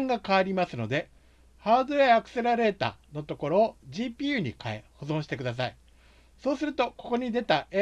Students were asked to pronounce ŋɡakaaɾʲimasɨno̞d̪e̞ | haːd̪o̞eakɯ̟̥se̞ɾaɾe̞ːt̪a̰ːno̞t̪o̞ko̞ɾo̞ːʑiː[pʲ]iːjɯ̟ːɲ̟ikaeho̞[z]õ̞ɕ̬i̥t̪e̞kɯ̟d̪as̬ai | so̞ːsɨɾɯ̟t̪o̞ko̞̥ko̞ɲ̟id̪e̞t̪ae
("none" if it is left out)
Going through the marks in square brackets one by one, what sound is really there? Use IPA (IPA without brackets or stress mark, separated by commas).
pʲ, z